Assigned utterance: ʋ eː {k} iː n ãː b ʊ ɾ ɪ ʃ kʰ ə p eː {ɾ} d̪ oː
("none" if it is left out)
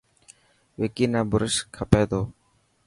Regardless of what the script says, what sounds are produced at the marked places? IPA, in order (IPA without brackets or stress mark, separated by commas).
k, none